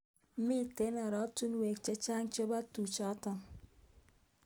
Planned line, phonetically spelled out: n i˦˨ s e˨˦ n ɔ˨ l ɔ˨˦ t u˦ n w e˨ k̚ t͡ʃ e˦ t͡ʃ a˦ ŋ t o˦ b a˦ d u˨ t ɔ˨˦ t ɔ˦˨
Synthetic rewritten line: m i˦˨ t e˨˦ n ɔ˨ ɾ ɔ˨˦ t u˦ n w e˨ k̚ t͡ʃ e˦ t͡ʃ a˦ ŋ t͡ʃ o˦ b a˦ t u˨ t͡ʃ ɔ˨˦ t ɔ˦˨